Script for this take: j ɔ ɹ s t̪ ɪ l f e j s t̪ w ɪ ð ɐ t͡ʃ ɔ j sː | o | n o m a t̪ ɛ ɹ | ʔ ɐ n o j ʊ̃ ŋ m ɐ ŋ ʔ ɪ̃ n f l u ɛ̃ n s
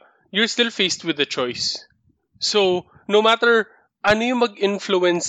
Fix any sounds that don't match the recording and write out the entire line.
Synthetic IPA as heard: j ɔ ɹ s t̪ ɪ l f e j s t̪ w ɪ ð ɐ t͡ʃ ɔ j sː | o | n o m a t̪ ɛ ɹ | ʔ ɐ n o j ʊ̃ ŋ m ɐ ɡ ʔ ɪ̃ n f l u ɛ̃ n s